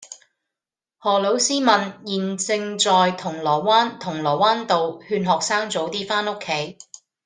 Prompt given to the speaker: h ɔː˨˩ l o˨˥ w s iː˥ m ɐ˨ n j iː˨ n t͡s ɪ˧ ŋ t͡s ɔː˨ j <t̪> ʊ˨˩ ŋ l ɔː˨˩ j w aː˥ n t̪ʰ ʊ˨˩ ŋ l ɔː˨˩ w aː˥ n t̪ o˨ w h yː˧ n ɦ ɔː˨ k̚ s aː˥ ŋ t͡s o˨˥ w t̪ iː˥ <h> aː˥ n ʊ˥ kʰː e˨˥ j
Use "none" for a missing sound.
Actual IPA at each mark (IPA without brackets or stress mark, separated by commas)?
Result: t̪ʰ, f